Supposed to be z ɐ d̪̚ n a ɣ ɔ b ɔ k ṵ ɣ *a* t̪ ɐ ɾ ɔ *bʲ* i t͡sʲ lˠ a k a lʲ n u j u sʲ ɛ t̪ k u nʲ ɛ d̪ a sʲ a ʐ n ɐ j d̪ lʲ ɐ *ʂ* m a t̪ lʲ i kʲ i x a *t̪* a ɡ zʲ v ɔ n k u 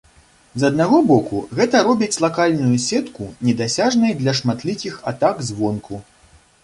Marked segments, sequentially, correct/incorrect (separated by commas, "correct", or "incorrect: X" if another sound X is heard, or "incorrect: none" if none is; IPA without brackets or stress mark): incorrect: ɛ, correct, correct, correct